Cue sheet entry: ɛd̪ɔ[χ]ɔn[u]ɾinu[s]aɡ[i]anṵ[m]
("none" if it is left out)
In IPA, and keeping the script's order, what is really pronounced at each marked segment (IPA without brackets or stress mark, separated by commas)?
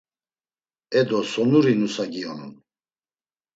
s, u, s, i, n